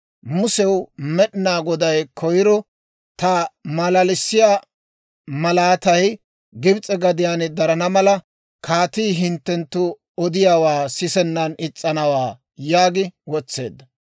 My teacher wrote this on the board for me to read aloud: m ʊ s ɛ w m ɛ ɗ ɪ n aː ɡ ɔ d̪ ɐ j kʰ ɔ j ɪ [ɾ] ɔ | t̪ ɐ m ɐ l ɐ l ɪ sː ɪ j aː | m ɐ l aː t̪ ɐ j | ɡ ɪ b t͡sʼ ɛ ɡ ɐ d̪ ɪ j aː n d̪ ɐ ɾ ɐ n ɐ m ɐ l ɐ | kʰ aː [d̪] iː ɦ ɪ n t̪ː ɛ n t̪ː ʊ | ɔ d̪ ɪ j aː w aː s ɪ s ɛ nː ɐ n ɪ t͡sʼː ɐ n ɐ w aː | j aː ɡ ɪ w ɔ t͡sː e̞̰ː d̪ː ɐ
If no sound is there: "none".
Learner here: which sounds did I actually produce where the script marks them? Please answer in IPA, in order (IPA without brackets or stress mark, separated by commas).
ɾ, t̪